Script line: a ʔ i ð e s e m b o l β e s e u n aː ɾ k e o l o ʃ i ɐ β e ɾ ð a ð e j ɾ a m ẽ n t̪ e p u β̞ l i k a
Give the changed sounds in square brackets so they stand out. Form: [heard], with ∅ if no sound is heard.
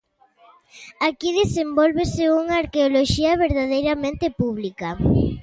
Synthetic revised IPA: a [k] i ð e s e m b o l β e s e u [ŋ] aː ɾ k e o l o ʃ i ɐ β e ɾ ð a ð e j ɾ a m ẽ n t̪ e p u β̞ l i k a